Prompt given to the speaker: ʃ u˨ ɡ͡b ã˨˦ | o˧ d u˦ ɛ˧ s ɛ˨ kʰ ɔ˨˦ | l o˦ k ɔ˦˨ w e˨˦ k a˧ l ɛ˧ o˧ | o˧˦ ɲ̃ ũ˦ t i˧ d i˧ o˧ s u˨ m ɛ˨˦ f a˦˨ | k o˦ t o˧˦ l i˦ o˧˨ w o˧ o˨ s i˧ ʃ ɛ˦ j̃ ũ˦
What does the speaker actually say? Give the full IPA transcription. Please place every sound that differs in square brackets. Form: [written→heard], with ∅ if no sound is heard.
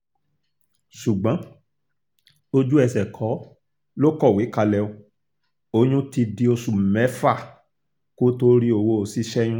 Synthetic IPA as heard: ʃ u˨ ɡ͡b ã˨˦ | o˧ [d→d͡ʒ] u˦ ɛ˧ s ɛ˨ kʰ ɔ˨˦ | l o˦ k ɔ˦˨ w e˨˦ k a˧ l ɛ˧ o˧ | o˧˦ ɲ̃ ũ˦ t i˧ d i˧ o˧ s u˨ m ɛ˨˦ f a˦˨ | k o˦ t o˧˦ [l→ɾ] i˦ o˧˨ w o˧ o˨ s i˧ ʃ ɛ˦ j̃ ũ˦